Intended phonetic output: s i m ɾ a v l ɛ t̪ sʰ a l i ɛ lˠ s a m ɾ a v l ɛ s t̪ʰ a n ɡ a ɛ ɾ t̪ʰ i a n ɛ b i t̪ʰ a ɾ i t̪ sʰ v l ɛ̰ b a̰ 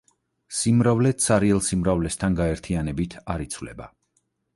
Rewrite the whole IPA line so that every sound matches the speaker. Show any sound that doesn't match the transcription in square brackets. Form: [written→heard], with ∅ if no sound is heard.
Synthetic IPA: s i m ɾ a v l ɛ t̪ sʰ a [l→ɾ] i ɛ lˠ s [a→i] m ɾ a v l ɛ s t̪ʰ a n ɡ a ɛ ɾ t̪ʰ i a n ɛ b i t̪ʰ a ɾ i t̪ sʰ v l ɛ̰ b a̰